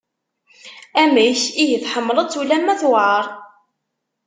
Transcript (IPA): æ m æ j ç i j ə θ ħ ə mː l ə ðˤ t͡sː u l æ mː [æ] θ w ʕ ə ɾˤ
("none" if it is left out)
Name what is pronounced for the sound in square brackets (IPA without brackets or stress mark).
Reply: æ